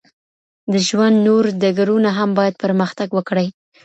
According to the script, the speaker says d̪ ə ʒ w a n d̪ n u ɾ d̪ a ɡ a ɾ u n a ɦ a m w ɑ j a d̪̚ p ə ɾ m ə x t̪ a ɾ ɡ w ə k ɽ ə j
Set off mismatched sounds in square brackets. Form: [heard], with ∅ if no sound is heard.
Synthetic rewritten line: d̪ ə ʒ w a n d̪ n [o] ɾ d̪ a ɡ a ɾ u n a ɦ a m [b] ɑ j a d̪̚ p ə ɾ m ə x t̪ a [∅] ɡ w ə k ɽ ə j